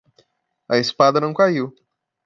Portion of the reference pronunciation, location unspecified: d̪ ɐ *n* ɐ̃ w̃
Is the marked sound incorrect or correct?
correct